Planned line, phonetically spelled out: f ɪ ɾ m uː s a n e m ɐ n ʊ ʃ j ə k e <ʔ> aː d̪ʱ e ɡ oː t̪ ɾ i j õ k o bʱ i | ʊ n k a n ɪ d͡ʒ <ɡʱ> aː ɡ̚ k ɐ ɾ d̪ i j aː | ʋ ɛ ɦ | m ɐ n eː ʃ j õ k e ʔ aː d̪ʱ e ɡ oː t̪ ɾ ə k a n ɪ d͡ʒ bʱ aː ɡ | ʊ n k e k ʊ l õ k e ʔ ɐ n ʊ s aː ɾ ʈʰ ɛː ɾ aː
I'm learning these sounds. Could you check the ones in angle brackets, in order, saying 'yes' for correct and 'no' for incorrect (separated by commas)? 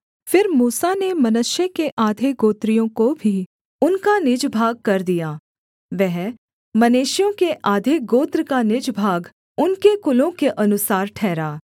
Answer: yes, no